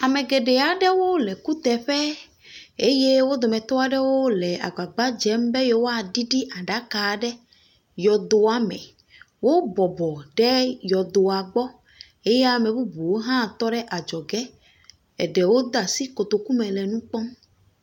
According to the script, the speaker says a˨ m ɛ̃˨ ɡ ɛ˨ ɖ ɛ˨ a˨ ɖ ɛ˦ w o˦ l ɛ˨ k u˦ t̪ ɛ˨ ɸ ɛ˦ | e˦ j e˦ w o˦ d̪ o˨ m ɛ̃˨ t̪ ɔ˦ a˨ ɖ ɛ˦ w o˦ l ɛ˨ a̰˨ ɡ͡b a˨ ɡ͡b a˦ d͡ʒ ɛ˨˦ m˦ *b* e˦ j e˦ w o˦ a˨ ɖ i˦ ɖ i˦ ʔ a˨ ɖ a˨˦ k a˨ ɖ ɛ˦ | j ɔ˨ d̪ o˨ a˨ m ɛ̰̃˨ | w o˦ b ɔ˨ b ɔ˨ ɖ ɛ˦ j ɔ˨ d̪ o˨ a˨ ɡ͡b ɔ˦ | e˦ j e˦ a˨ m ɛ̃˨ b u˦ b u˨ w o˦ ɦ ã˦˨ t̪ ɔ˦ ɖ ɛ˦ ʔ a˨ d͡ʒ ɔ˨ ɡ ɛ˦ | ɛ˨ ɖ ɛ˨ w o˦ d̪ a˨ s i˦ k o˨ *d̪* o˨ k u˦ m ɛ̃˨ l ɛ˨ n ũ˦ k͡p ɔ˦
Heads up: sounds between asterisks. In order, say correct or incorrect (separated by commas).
correct, incorrect